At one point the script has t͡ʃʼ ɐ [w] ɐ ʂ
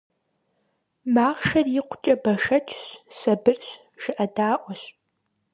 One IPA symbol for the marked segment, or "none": b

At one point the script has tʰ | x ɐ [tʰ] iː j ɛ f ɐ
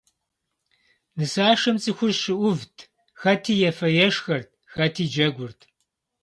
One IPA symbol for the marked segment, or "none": tʰ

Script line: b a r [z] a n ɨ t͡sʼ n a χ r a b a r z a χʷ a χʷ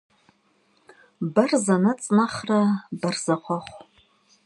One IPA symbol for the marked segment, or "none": z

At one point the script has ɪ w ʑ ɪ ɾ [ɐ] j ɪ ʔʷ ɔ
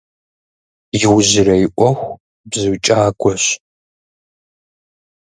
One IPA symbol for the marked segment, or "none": ɐ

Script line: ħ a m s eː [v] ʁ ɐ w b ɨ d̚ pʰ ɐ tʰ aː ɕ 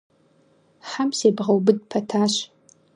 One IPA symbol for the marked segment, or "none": b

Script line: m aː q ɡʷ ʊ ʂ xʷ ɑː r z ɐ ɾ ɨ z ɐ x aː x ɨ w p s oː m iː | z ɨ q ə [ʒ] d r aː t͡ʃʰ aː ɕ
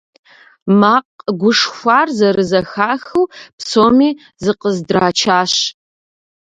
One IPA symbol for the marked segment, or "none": z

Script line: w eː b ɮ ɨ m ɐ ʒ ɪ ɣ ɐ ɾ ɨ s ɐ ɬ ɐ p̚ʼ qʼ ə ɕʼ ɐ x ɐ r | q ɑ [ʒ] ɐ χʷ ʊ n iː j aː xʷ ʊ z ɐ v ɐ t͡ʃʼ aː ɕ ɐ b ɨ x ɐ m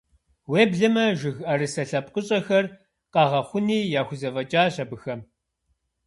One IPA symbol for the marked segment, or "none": ʁ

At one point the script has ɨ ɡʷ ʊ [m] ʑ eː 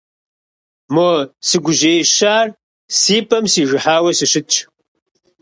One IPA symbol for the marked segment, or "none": none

